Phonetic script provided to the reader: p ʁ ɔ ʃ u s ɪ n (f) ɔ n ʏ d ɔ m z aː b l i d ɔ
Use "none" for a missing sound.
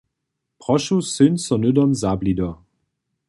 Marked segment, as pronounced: s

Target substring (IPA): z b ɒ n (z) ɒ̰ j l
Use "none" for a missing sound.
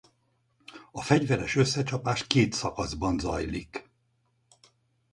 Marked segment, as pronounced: z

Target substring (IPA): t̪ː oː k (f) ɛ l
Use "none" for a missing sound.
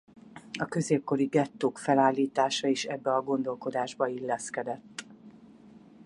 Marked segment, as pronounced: f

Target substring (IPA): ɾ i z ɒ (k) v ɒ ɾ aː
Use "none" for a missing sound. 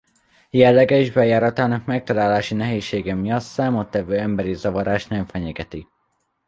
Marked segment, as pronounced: none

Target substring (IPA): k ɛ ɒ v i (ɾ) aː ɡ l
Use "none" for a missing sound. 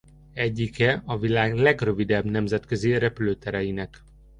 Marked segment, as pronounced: l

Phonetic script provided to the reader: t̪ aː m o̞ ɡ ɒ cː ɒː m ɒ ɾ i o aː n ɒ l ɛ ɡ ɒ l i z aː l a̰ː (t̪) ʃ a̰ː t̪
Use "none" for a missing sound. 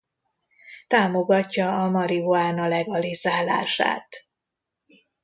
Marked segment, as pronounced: none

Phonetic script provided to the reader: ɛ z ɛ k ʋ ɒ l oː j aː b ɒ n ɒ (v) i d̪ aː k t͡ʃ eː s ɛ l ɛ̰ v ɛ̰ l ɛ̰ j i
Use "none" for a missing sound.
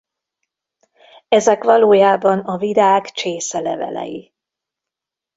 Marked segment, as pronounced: v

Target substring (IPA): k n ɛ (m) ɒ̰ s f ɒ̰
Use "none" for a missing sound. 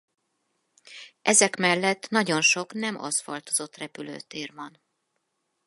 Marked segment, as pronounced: m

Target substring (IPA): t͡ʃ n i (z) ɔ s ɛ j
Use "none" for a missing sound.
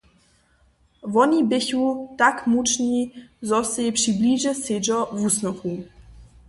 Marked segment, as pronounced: z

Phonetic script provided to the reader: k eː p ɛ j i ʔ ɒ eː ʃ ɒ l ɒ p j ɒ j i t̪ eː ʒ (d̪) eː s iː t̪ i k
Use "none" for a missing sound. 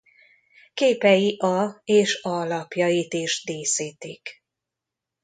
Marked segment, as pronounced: d̪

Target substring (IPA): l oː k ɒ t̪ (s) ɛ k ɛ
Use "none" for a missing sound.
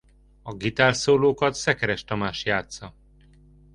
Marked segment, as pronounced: s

